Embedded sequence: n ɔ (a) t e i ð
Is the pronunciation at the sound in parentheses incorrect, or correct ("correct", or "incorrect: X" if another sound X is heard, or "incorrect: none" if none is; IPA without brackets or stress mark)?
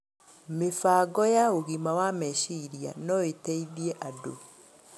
incorrect: e